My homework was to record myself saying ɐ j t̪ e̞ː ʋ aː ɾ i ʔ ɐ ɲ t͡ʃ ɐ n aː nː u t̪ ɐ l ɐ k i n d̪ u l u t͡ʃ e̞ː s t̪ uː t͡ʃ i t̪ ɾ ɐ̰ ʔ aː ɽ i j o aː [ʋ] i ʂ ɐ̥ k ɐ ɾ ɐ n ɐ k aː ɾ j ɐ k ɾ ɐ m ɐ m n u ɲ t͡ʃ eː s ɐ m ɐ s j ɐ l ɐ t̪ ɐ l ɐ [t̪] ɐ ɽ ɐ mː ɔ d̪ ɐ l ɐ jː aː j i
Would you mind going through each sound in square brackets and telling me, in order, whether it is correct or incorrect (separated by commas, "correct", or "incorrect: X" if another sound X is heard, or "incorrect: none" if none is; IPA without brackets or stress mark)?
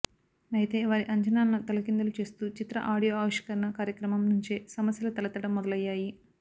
correct, correct